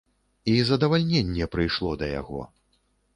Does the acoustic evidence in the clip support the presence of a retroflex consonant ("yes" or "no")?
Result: yes